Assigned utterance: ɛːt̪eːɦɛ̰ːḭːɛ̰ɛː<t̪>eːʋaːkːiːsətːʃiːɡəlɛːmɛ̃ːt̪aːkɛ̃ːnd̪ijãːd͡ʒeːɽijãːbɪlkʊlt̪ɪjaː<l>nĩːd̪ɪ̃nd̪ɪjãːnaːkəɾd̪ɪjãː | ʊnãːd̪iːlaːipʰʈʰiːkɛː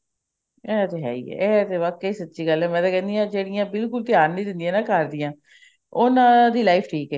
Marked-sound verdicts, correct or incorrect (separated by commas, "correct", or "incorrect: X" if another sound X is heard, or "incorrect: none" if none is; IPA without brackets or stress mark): correct, incorrect: ɾ